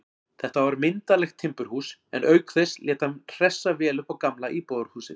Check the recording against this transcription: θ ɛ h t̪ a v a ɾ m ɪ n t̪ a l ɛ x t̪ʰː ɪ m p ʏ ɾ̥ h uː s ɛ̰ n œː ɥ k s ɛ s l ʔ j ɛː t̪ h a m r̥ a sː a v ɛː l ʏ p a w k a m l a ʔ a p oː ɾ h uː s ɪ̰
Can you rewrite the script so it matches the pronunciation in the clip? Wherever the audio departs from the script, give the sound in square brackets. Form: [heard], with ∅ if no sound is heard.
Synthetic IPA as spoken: θ ɛ h t̪ a v a ɾ m ɪ n t̪ a l ɛ x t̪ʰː ɪ m p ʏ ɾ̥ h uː s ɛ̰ n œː ɥ k [θ] ɛ s l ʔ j ɛː t̪ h a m r̥ [ɛ] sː a v ɛː l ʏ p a w k a m l a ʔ [i] p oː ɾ h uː s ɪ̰